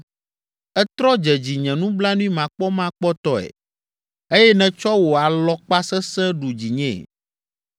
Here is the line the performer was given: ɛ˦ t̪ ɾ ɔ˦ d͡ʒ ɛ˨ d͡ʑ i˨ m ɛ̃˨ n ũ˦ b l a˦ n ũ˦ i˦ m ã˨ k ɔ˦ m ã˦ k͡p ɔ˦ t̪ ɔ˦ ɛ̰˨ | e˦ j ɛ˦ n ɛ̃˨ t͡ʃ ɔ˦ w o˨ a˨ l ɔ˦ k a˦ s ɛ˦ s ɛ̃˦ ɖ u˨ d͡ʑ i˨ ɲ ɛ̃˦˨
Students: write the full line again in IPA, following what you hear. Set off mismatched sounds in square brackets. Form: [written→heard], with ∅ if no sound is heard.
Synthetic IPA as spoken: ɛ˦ t̪ ɾ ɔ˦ d͡ʒ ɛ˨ d͡ʑ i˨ [m→ɲ] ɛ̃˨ n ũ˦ b l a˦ n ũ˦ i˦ m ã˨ [k→k͡p] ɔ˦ m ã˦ k͡p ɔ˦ t̪ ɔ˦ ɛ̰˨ | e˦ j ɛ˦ n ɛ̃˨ t͡ʃ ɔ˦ w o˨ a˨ l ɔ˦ [k→k͡p] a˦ s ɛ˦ s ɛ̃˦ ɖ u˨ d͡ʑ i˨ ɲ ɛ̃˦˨